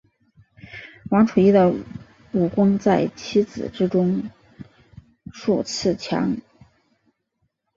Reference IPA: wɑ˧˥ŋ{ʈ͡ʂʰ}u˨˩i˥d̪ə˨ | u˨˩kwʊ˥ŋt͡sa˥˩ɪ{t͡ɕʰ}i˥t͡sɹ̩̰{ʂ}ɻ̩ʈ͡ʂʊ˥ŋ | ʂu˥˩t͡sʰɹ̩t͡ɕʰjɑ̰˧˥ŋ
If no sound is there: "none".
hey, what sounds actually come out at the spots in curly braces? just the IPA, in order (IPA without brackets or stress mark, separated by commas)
ʈ͡ʂʰ, t͡ɕʰ, ʈ͡ʂ